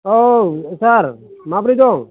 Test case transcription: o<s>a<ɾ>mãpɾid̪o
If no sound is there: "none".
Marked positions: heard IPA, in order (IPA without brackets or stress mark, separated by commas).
s, ɾ